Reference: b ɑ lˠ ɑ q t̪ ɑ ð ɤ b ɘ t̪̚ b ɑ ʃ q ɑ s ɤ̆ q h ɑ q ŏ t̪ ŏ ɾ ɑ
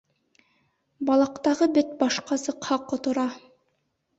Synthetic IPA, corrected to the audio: b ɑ lˠ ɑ q t̪ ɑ ʁ ɤ b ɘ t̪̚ b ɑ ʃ q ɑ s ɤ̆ q h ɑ q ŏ t̪ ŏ ɾ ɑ